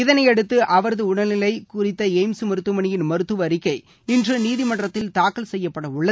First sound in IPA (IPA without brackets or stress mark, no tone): ɪ